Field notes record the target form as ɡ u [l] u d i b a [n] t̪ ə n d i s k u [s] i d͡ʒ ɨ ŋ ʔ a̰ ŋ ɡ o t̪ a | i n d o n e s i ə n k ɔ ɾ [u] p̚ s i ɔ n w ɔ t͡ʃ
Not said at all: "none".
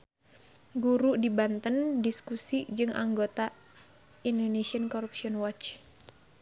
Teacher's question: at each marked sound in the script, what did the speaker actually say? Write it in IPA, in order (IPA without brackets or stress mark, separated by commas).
ɾ, n, s, u